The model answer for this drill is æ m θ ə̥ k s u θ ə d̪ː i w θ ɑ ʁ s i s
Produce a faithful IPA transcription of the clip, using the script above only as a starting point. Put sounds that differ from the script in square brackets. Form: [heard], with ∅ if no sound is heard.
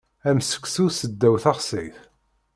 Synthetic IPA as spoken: æ m [s] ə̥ k s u [s] ə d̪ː [æ] w θ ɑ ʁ s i [θ]